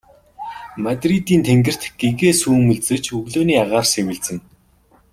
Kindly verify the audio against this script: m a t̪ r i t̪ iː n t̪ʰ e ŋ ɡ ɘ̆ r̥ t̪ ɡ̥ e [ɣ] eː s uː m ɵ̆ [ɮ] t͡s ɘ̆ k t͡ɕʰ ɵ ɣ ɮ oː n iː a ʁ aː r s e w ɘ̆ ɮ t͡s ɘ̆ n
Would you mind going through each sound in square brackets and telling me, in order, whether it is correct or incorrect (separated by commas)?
correct, correct